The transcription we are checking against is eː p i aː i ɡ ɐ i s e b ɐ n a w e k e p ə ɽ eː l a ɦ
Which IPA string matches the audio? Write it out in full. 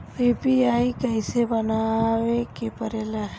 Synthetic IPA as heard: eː p i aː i k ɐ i s e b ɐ n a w e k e p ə ɾ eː l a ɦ